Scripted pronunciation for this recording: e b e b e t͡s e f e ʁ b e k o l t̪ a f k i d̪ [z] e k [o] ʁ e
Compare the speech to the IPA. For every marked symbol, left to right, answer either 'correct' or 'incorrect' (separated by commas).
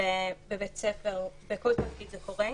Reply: correct, correct